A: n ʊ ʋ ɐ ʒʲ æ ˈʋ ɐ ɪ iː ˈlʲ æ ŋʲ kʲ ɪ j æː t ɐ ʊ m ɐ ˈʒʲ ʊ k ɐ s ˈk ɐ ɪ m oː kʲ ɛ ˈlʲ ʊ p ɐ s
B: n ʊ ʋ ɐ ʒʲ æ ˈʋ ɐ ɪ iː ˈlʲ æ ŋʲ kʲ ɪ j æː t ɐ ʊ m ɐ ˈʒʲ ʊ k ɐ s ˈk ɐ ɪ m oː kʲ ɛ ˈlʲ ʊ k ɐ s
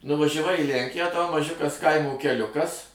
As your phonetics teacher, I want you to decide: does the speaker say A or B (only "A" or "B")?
B